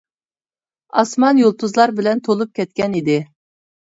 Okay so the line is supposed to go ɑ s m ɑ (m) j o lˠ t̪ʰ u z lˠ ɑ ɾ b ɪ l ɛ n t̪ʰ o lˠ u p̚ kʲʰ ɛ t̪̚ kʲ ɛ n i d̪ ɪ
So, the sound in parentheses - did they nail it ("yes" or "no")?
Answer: no